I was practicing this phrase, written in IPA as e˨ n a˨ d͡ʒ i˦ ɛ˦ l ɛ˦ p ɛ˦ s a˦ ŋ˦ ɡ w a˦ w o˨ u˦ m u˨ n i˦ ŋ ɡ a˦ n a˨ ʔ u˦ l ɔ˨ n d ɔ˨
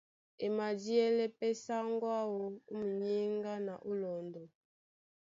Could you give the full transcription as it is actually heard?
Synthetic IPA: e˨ m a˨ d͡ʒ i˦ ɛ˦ l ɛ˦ p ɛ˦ s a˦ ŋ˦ ɡ w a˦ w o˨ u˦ m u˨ ɲ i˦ ŋ ɡ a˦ n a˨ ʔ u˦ l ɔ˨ n d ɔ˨